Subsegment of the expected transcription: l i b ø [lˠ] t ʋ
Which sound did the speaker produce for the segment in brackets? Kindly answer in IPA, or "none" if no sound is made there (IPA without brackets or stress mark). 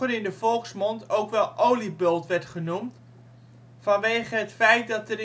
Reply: lˠ